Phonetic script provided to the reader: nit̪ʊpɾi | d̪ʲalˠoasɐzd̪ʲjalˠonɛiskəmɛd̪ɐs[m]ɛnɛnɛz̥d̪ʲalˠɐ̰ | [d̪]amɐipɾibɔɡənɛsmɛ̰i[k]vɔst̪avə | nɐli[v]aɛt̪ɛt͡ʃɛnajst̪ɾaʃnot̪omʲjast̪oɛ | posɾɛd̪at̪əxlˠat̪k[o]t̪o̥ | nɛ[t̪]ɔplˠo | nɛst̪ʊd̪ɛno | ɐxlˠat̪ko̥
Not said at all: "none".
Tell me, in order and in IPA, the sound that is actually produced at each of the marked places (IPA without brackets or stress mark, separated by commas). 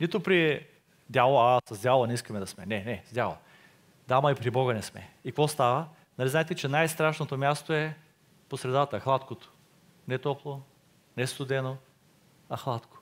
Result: m, d̪, k, z, o, t̪